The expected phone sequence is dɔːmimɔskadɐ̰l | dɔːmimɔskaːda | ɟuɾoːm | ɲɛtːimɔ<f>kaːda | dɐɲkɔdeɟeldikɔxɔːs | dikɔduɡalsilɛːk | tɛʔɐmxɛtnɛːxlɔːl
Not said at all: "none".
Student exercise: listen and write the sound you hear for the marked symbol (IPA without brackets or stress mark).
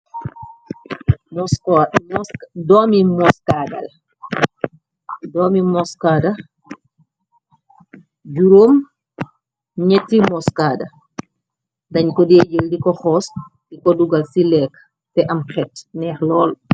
s